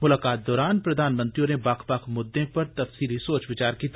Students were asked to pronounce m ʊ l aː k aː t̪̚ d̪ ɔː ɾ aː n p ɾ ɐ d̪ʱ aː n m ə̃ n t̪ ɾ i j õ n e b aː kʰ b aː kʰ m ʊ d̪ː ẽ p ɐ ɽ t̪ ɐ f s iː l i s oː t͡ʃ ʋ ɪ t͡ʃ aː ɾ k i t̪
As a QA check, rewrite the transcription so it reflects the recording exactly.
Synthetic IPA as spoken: m ʊ l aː k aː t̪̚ d̪ ɔː ɾ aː n p ɾ ɐ d̪ʱ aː n m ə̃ n t̪ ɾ i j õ n e b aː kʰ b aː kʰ m ʊ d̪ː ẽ p ɐ ɾ t̪ ɐ f s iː l i s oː t͡ʃ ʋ ɪ t͡ʃ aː ɾ k i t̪